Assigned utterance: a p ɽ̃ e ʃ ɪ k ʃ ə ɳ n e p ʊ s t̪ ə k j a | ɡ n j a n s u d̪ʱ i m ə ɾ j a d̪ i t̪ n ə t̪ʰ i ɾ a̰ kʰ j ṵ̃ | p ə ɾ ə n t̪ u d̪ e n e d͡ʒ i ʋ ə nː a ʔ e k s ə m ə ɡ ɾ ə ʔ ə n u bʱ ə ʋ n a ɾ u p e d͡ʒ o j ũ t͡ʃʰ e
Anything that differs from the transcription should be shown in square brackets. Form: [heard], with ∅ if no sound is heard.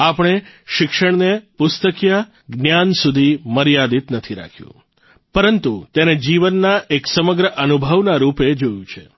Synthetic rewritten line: a p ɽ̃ e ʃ ɪ k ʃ ə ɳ n e p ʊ s t̪ ə k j a | ɡ n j a n s u d̪ʱ i m ə ɾ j a d̪ i t̪ n ə t̪ʰ i ɾ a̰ kʰ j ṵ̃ | p ə ɾ ə n t̪ u [t̪] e n e d͡ʒ i ʋ ə nː a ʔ e k s ə m ə ɡ ɾ ə ʔ ə n u bʱ ə ʋ n a ɾ u p e d͡ʒ o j ũ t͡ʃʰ e